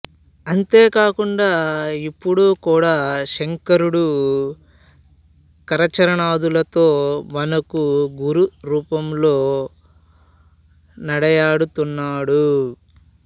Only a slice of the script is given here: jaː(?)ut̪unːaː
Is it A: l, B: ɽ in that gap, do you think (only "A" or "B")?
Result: B